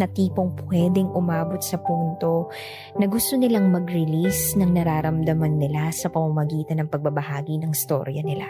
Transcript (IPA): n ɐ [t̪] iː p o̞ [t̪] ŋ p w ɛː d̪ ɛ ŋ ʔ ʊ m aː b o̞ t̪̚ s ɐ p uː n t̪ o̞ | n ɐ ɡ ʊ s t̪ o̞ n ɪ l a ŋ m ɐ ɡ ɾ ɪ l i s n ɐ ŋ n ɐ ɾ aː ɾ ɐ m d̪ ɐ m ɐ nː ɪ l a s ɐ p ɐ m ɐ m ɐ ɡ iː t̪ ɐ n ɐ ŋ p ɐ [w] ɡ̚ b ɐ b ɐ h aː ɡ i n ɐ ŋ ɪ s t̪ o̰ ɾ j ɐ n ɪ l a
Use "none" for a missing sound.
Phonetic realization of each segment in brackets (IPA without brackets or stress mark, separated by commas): t̪, none, none